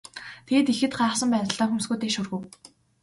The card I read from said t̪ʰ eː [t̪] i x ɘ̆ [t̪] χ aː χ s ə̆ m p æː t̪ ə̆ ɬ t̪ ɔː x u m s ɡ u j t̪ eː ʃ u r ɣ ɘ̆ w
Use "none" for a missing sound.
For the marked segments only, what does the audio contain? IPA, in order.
t̪, t̪

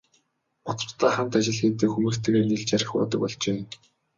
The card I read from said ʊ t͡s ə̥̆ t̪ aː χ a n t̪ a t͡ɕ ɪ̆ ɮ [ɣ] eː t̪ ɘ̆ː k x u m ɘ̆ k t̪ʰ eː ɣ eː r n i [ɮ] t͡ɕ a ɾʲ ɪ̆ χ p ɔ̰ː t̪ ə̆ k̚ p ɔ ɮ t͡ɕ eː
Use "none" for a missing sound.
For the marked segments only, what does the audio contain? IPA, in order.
x, ɮ

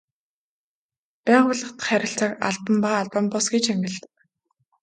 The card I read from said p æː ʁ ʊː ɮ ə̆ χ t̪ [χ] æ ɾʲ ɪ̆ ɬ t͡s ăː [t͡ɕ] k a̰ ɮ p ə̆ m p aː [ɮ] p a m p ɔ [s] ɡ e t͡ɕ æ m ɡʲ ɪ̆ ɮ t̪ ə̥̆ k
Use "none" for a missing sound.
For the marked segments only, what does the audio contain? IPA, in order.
χ, none, ɮ, s

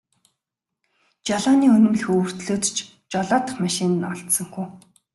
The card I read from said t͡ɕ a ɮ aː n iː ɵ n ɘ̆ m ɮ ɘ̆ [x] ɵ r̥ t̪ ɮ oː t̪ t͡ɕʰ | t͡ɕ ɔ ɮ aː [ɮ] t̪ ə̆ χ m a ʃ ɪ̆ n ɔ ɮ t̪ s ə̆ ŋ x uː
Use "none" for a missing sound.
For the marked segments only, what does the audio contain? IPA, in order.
x, none

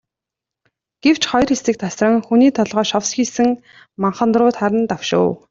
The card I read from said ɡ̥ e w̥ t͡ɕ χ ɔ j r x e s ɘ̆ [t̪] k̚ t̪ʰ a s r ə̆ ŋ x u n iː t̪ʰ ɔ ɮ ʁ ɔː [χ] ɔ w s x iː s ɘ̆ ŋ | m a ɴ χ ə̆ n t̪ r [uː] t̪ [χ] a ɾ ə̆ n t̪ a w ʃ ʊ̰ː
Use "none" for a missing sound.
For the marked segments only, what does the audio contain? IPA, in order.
none, ʃ, ʊː, χ

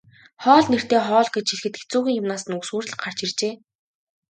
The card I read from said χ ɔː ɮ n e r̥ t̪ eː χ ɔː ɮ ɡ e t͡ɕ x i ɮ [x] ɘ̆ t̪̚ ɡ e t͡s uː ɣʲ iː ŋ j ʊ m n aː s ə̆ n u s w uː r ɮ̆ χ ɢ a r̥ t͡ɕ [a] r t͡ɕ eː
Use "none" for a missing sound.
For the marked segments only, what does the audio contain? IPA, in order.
x, i

